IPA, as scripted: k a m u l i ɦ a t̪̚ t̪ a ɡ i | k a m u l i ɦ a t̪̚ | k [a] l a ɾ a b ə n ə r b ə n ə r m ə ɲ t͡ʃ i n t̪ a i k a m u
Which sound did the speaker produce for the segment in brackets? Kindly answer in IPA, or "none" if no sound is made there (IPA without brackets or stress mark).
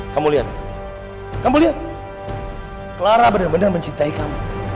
ə